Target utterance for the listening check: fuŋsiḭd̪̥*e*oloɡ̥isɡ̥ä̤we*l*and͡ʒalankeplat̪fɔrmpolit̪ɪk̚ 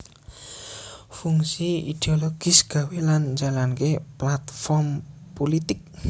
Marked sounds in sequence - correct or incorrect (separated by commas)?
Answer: correct, correct